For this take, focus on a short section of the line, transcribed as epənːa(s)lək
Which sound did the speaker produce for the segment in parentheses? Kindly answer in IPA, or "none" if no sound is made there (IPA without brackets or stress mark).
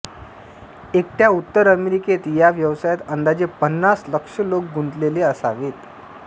s